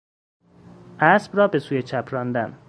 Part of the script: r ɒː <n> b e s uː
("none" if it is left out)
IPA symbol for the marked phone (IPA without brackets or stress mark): none